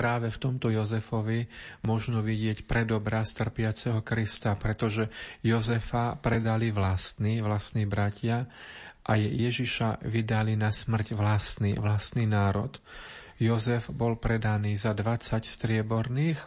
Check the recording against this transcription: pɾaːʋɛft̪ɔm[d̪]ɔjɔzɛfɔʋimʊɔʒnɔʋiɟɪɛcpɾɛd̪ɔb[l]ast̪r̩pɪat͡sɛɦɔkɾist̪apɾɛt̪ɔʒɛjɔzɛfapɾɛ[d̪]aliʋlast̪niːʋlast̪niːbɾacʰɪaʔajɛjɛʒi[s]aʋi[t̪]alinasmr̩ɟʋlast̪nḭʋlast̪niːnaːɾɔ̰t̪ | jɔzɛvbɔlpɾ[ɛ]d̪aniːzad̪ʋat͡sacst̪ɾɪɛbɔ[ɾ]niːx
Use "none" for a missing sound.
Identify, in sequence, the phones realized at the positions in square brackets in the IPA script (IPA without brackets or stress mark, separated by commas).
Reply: t̪, ɾ, d̪, ʃ, d̪, ɛ, ɾ